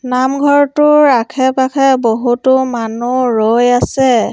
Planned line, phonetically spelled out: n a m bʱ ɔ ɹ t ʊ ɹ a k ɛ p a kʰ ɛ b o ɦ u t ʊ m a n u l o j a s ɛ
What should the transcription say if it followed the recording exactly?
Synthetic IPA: n a m ɡʱ ɔ ɹ t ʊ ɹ a kʰ ɛ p a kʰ ɛ b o ɦ u t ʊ m a n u ɹ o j a s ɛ